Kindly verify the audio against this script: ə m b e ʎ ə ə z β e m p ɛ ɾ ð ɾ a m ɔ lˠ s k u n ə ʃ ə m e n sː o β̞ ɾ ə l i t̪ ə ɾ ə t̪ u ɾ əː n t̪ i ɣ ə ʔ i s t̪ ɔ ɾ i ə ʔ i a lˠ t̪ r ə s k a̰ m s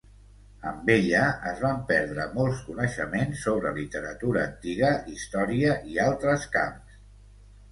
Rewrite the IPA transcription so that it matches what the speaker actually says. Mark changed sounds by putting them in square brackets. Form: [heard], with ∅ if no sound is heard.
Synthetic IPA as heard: ə m b e ʎ ə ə z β [a] m p ɛ ɾ ð ɾ [ə] m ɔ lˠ s k u n ə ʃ ə m e n sː o β̞ ɾ ə l i t̪ ə ɾ ə t̪ u ɾ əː n t̪ i ɣ ə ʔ i s t̪ ɔ ɾ i ə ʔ i a lˠ t̪ [ɾ] ə s k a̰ m s